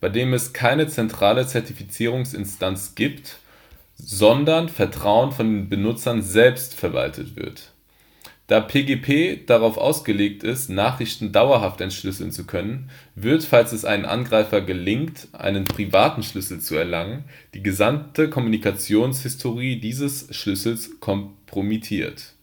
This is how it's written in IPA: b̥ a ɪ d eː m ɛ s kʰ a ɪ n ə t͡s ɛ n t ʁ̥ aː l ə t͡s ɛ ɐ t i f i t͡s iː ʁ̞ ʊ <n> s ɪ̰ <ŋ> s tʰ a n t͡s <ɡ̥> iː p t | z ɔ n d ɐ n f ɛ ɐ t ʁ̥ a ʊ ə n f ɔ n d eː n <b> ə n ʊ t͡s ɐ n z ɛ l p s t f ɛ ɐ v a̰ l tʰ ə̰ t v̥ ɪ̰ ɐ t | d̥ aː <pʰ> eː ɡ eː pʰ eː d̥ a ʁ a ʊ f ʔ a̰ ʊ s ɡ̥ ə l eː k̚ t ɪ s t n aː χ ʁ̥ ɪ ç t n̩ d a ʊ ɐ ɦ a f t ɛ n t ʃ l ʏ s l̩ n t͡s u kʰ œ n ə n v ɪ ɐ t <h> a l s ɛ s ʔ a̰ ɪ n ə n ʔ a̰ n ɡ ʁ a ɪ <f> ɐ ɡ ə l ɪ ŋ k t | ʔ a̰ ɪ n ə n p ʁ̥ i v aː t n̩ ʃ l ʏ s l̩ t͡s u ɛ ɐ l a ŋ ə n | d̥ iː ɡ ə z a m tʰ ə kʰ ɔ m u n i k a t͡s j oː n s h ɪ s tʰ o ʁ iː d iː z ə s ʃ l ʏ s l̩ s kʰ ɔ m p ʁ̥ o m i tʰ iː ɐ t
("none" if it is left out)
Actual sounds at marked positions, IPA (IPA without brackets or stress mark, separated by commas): ŋ, n, ɡ̥, b, pʰ, f, f